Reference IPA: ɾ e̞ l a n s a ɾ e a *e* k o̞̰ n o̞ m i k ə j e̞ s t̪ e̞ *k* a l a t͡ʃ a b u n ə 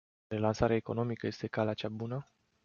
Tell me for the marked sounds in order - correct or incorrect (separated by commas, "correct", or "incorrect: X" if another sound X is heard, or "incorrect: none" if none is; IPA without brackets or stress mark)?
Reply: correct, correct